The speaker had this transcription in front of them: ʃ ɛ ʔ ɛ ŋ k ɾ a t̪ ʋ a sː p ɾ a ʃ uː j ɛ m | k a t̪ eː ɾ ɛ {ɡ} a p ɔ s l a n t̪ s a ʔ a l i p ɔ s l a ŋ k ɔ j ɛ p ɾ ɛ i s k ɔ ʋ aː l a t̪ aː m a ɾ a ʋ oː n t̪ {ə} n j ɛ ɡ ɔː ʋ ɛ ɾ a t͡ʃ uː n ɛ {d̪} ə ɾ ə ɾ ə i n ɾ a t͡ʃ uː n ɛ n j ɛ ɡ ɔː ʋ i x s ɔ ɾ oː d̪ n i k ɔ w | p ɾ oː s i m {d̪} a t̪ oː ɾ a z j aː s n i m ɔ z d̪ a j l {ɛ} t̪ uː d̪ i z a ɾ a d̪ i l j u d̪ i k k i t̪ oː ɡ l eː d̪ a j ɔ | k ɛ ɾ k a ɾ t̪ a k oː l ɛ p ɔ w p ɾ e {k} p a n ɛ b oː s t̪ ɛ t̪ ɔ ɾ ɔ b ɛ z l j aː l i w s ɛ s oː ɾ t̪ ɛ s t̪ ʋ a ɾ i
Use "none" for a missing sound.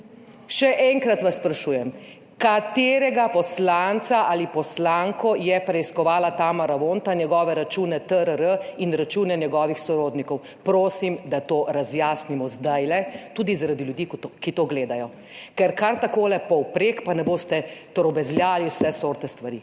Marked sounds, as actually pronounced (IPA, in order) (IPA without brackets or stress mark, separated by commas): ɡ, a, t̪, d̪, ɛ, k